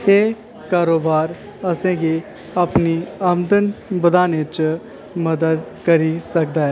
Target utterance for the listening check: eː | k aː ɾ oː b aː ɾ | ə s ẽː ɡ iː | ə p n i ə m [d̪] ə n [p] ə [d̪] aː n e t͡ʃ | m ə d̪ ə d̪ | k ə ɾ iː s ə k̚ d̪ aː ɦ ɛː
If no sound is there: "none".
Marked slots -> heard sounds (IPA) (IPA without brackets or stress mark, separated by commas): d̪, b, d̪